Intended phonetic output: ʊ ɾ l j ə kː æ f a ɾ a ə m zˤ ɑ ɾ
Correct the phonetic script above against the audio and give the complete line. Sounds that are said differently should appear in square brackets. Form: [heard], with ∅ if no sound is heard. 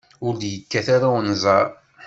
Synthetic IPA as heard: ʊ ɾ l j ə kː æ [θ] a ɾ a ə [n] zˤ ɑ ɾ